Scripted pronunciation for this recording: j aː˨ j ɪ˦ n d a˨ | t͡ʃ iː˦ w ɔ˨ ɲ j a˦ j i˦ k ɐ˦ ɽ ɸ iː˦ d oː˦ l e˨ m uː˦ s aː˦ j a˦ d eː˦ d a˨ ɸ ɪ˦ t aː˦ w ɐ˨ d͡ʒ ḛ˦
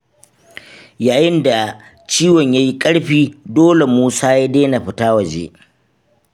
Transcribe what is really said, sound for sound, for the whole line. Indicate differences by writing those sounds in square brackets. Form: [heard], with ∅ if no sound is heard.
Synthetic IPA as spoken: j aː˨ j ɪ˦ n d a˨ | t͡ʃ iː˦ w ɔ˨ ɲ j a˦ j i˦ [kʼ] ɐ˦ ɽ ɸ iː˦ d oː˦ l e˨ m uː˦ s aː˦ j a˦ d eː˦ [n] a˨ ɸ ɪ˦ t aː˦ w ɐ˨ d͡ʒ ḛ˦